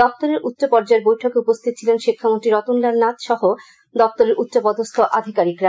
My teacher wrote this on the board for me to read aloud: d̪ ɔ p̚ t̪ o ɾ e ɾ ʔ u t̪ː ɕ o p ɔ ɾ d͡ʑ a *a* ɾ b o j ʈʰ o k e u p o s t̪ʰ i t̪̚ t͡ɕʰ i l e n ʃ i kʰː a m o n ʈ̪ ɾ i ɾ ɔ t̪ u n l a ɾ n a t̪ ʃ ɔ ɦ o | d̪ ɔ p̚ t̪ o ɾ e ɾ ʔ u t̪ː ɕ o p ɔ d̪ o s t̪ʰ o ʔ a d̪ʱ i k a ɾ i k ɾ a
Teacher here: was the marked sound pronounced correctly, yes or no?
no